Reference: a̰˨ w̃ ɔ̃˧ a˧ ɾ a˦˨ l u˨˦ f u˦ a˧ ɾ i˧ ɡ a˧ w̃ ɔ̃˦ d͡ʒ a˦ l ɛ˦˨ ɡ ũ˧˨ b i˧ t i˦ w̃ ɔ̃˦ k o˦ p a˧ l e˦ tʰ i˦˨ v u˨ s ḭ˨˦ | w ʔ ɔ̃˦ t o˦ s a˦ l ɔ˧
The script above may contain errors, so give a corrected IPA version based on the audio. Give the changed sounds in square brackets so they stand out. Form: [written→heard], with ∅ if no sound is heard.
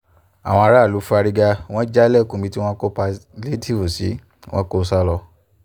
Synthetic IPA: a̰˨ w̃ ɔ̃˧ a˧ ɾ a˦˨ l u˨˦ f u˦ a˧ ɾ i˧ ɡ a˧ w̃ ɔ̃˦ d͡ʒ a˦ l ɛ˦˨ [ɡ→k] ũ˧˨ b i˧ t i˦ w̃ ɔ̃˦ k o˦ p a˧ l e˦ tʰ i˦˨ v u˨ s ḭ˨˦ | w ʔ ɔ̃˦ [t→k] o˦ s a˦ l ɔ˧